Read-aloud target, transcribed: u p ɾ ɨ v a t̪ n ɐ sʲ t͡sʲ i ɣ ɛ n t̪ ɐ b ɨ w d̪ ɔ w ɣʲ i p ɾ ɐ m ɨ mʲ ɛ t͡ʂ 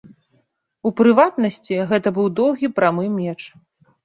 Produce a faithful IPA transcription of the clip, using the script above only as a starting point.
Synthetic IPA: u p ɾ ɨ v a t̪ n ɐ sʲ t͡sʲ i ɣ ɛ t̪ ɐ b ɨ w d̪ ɔ w ɣʲ i p ɾ a m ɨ mʲ ɛ t͡ʂ